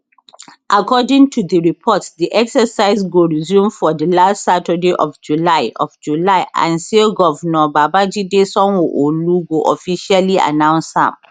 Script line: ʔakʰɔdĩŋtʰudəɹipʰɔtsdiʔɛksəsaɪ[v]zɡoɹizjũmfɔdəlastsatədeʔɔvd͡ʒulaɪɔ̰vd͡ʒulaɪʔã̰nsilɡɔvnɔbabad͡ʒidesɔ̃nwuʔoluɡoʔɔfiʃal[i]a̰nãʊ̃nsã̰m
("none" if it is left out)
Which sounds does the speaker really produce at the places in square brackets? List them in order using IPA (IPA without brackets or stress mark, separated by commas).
none, i